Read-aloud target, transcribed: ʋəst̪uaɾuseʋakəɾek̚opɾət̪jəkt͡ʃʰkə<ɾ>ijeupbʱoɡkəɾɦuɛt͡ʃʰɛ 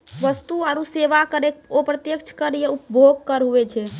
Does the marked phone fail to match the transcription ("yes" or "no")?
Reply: no